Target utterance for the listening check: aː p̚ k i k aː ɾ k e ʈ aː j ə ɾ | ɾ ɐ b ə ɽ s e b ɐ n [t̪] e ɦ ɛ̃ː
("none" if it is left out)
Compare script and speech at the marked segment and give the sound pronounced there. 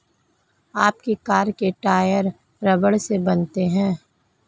t̪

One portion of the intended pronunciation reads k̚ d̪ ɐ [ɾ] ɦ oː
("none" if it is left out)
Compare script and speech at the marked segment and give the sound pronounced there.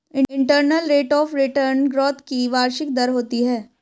ɾ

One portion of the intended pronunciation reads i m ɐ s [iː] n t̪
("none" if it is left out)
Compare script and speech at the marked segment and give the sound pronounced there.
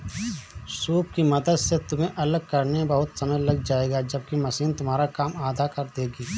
iː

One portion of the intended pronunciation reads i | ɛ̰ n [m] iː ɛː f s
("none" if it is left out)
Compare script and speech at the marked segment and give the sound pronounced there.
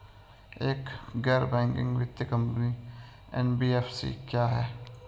b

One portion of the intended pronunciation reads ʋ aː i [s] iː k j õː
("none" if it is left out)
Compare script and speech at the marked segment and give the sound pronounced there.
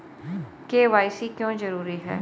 s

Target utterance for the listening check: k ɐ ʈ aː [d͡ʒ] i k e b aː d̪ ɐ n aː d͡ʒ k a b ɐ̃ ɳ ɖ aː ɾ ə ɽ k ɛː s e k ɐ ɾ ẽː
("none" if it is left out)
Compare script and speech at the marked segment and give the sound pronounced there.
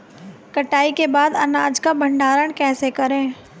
none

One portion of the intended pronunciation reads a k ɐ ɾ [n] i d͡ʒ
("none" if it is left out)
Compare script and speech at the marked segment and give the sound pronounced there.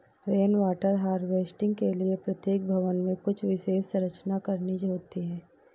n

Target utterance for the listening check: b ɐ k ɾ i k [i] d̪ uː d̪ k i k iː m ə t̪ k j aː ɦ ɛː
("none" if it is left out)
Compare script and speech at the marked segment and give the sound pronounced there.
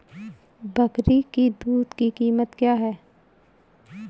i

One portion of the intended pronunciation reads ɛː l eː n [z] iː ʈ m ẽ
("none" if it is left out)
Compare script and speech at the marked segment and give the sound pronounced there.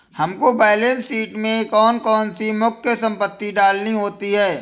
s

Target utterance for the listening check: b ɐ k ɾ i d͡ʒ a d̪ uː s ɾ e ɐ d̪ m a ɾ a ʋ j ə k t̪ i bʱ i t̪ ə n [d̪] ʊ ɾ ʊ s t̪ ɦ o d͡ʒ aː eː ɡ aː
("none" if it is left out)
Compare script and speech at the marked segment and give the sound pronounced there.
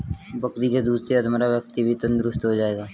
d̪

